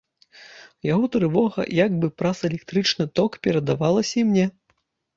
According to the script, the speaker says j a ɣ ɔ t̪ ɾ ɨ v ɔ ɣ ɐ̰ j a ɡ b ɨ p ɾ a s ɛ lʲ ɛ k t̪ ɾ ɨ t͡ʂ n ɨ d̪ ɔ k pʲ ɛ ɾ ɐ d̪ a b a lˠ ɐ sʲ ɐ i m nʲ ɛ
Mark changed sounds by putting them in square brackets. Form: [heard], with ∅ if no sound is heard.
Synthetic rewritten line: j a ɣ ɔ t̪ ɾ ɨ v ɔ ɣ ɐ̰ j a ɡ b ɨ p ɾ a s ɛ lʲ ɛ k t̪ ɾ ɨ t͡ʂ n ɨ [t̪] ɔ k pʲ ɛ ɾ ɐ d̪ a [v] a lˠ ɐ sʲ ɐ i m nʲ ɛ